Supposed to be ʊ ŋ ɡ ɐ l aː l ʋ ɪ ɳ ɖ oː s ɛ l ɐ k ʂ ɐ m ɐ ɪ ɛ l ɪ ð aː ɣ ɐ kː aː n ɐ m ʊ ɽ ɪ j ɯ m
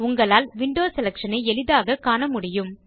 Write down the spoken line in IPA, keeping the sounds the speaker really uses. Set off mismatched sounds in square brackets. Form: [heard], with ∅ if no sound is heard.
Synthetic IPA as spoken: ʊ ŋ ɡ ɐ [ɭ] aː l ʋ ɪ ɳ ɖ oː s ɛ l ɐ k ʂ ɐ [n] ɐ ɪ ɛ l ɪ ð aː ɣ ɐ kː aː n ɐ m ʊ ɽ ɪ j ɯ m